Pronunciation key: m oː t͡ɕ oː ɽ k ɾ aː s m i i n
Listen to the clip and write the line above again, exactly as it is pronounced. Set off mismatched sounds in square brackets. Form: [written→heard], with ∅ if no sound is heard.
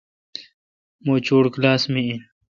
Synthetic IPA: m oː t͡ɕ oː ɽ k [ɾ→l] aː s m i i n

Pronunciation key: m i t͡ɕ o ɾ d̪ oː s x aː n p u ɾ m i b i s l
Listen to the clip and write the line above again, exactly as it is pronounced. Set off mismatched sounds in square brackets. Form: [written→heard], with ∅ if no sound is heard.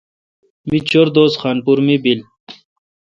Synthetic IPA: m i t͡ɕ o ɾ d̪ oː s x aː n p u ɾ m i b i [s→∅] l

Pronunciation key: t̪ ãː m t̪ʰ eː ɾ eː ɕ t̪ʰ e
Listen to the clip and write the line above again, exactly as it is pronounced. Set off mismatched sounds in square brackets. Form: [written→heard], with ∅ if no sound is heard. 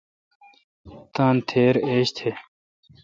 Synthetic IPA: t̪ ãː [m→n] t̪ʰ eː ɾ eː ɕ t̪ʰ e

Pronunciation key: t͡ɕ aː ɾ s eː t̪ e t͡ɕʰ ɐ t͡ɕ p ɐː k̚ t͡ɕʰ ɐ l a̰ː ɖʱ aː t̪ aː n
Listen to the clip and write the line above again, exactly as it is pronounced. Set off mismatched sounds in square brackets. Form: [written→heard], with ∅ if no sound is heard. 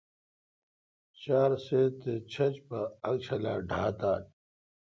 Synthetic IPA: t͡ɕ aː ɾ s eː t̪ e t͡ɕʰ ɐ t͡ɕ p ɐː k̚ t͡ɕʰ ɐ l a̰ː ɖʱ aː t̪ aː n

